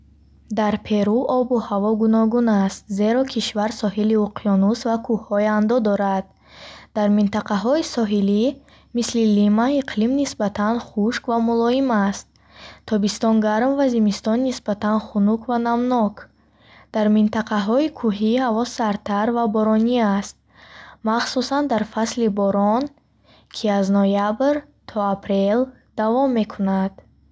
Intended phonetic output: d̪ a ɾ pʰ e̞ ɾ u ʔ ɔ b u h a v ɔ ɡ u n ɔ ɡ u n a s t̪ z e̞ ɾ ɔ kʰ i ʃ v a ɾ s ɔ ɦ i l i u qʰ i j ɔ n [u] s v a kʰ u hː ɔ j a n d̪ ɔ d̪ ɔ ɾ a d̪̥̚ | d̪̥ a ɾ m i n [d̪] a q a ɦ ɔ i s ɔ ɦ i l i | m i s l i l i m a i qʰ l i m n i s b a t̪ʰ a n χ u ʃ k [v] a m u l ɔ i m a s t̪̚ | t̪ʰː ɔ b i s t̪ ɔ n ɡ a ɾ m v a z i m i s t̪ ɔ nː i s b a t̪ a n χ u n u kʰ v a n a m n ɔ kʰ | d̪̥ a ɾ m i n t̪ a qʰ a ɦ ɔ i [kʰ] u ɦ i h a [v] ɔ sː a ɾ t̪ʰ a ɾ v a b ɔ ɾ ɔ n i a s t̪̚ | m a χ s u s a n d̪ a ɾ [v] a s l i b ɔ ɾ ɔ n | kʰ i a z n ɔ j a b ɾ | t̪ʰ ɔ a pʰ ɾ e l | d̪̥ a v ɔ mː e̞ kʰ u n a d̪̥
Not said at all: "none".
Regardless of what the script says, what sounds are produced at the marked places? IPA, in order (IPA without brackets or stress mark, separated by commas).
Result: u, t̪, v, kʰ, v, f